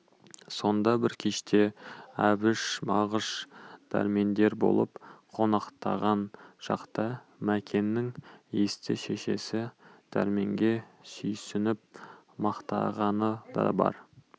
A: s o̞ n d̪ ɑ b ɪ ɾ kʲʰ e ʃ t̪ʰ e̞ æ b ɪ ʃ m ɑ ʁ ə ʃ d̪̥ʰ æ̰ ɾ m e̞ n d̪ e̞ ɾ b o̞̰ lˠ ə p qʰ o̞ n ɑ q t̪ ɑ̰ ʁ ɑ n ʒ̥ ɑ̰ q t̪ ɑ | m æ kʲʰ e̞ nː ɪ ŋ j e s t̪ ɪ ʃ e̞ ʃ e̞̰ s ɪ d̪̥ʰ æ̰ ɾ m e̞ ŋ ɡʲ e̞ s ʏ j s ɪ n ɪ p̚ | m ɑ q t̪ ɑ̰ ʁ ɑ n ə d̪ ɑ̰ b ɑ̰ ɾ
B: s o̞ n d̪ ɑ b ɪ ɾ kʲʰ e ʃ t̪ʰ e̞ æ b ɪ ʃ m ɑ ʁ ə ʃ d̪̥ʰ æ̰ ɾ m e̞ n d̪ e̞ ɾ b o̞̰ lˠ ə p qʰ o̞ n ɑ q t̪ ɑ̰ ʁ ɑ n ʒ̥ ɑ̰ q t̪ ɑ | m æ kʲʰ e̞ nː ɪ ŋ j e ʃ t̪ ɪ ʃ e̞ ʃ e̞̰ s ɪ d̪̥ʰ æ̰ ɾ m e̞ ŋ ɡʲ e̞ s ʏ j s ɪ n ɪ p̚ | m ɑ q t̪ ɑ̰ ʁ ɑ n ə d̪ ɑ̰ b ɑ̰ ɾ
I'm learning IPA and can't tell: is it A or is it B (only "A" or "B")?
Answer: A